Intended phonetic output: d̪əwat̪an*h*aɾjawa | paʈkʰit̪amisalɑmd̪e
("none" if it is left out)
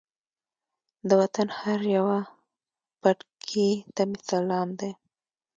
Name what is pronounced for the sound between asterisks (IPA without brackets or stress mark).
h